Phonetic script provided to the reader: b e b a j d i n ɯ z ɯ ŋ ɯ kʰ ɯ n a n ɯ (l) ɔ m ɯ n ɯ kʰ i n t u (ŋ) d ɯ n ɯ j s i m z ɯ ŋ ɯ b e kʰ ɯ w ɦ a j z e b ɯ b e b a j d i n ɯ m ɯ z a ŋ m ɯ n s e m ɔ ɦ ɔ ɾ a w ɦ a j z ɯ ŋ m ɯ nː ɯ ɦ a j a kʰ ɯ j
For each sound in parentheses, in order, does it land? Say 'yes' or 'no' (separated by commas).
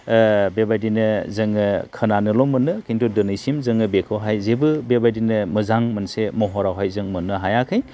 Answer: yes, no